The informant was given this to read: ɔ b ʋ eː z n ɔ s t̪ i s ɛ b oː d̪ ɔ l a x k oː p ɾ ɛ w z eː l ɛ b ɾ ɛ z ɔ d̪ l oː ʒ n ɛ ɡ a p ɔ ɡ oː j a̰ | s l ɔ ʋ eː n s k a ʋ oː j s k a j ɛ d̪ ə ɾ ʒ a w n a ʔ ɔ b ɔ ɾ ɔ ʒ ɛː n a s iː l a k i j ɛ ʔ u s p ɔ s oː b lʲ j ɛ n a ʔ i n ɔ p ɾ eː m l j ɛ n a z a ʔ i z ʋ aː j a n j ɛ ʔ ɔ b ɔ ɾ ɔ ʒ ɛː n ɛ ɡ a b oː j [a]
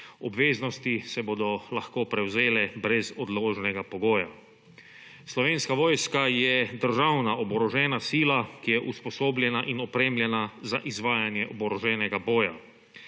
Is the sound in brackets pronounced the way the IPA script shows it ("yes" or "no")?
yes